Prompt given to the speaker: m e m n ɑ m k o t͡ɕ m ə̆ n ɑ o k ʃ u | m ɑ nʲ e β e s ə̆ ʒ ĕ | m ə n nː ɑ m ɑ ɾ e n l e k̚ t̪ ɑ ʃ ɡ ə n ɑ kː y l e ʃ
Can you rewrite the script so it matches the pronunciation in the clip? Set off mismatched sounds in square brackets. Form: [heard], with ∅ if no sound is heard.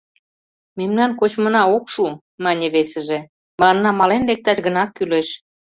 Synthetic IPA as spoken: m e m n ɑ [n] k o t͡ɕ m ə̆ n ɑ o k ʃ u | m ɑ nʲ e β e s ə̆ ʒ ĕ | m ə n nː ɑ m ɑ [l] e n l e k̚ t̪ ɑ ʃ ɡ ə n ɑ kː y l e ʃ